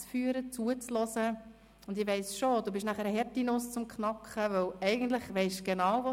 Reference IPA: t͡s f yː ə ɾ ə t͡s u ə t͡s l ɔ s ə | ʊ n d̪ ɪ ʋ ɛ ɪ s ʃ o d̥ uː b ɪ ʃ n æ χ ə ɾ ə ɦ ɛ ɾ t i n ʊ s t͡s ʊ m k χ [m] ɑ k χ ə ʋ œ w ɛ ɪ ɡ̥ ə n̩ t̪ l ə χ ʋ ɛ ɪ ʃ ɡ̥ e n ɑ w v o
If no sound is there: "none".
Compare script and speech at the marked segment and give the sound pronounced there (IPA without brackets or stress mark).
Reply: n